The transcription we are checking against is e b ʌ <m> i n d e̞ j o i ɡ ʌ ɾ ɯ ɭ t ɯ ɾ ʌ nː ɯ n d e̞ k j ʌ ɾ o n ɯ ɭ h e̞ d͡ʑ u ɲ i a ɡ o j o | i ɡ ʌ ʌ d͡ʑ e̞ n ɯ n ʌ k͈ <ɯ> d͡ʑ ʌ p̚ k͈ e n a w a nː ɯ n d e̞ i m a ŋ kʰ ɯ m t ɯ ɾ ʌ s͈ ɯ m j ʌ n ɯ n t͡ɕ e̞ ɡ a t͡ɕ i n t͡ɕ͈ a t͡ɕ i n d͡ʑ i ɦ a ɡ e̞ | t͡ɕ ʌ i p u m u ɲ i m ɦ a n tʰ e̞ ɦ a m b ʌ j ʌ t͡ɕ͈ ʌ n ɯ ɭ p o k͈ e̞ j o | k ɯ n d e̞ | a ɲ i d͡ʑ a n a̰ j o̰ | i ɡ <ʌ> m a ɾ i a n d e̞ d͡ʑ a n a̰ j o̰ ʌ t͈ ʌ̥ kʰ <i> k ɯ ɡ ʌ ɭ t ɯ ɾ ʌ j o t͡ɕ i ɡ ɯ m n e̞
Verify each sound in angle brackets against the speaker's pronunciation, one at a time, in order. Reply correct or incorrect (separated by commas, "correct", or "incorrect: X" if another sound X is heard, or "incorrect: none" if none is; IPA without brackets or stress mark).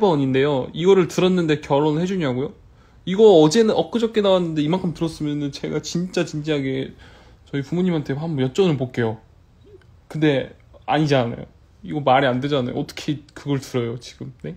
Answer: incorrect: ɲ, correct, correct, incorrect: e